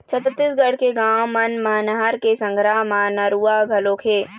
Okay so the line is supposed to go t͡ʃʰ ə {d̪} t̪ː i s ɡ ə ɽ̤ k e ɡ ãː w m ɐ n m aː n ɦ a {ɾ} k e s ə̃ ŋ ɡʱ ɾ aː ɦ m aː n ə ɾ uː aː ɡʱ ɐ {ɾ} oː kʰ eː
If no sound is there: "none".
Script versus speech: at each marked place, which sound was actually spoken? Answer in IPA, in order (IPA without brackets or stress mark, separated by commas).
t̪, ɾ, l